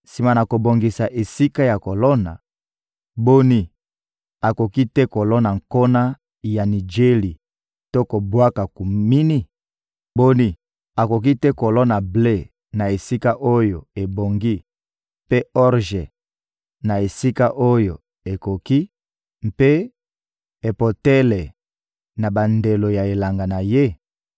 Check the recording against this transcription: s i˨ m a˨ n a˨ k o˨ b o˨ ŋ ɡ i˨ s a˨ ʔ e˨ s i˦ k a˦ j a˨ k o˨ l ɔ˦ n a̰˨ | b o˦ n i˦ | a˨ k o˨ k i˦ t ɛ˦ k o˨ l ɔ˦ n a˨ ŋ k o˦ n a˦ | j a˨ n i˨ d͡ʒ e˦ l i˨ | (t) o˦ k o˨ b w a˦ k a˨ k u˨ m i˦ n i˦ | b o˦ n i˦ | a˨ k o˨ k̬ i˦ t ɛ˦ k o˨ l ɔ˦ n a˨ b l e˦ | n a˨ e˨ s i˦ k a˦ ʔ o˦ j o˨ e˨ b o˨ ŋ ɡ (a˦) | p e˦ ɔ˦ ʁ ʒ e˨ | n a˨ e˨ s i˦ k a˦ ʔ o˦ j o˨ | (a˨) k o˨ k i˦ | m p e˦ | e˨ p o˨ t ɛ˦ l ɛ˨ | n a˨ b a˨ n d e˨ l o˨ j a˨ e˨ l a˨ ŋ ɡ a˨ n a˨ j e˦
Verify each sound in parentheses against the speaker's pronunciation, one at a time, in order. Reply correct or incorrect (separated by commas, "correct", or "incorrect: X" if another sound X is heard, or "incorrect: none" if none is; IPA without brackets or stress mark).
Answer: correct, incorrect: i˦, incorrect: e˨